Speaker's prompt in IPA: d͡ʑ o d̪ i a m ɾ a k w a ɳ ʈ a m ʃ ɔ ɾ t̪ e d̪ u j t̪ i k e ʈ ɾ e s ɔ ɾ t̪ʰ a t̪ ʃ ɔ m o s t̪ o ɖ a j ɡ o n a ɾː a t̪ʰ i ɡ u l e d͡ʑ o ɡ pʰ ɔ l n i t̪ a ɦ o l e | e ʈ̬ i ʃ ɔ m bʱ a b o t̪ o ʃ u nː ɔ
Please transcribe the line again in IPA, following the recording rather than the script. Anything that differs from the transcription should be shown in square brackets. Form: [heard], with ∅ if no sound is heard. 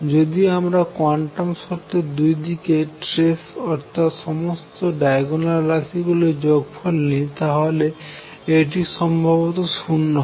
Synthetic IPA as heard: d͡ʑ o d̪ i a m ɾ a k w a ɳ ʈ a m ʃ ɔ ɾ t̪ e d̪ u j [d̪] i k e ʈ ɾ e s ɔ ɾ t̪ʰ a t̪ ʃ ɔ m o s t̪ o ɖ a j ɡ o n a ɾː a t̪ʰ i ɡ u l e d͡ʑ o ɡ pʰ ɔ l n i t̪ a ɦ o l e | e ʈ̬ i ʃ ɔ m bʱ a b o t̪ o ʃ u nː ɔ

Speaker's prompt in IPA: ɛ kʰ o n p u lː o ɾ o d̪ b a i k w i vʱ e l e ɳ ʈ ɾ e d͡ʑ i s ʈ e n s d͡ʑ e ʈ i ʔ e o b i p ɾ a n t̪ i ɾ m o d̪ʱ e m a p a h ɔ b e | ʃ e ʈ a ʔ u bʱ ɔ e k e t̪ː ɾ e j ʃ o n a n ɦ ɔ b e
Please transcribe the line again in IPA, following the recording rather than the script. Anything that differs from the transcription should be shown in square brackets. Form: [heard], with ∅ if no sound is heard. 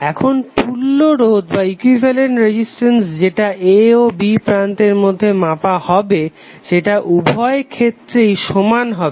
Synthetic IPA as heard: ɛ kʰ o n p u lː o ɾ o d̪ b a i k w i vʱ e l e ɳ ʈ ɾ e d͡ʑ i s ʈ e n s d͡ʑ e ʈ [a] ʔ e o b i p ɾ a n t̪ [e] ɾ m o [d̪ʱː] e m a p a h ɔ b e | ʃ e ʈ a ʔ u bʱ ɔ e [kʰ] e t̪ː ɾ e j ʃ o [m] a n ɦ ɔ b e

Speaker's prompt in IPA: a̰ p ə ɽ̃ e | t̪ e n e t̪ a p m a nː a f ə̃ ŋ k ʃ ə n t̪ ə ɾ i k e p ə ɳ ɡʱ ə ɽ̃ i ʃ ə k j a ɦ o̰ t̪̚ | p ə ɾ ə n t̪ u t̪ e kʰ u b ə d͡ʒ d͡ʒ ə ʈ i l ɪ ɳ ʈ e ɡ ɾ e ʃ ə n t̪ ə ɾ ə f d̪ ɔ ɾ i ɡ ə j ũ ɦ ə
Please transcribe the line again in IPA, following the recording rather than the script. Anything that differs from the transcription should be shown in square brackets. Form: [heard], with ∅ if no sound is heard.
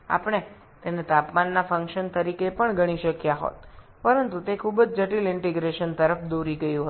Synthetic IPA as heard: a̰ p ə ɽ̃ e | t̪ e n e t̪ a p m a nː a f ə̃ ŋ k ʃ ə n t̪ ə ɾ i k e p ə ɳ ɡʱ ə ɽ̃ i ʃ ə k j a ɦ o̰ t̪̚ | p ə ɾ ə n t̪ u t̪ e kʰ u b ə d͡ʒ d͡ʒ ə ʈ i l ɪ ɳ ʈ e ɡ ɾ e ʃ ə n t̪ ə ɾ ə f d̪ [o] ɾ i ɡ ə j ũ ɦ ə

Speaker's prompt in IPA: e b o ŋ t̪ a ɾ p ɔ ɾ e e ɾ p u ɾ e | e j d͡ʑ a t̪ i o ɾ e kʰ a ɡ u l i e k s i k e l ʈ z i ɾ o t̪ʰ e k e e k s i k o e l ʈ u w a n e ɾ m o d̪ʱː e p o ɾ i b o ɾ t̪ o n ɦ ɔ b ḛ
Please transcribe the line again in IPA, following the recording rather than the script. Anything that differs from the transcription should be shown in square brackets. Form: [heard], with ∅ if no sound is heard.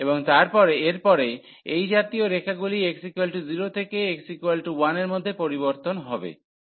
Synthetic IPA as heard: e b o ŋ t̪ a ɾ p ɔ ɾ e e ɾ p [ɔ] ɾ e | e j d͡ʑ a t̪ i o ɾ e kʰ a ɡ u l i e k s i k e l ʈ z i ɾ o t̪ʰ e k e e k s i k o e l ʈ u w a n e ɾ m o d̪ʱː e p o ɾ i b o ɾ t̪ o n ɦ ɔ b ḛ

